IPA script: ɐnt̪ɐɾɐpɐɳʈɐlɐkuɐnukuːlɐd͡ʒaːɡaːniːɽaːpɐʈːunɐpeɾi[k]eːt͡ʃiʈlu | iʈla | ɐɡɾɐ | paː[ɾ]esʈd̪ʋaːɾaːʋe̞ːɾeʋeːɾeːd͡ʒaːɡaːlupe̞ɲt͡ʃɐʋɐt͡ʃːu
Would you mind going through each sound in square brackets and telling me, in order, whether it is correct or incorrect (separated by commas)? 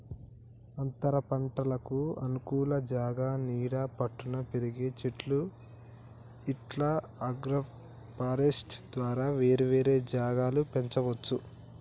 incorrect, correct